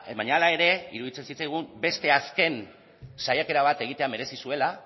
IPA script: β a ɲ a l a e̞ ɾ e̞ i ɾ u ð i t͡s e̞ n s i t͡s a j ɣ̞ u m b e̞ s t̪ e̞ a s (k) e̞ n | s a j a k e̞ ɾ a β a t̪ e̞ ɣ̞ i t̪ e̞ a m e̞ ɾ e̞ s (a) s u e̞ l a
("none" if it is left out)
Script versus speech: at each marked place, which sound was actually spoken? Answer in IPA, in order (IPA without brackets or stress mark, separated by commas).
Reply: k, i